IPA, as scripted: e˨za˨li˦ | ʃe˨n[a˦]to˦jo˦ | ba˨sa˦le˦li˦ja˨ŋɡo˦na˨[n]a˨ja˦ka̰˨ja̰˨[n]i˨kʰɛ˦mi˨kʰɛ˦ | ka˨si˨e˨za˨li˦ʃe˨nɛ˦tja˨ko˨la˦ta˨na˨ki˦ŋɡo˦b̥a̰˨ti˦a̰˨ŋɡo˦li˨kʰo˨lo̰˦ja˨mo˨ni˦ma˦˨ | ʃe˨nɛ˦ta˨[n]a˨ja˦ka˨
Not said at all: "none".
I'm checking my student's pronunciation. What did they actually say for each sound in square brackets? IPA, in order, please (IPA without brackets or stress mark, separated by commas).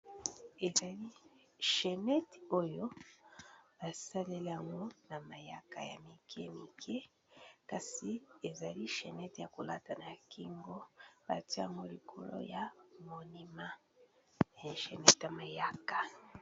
ɛ˦, m, m, m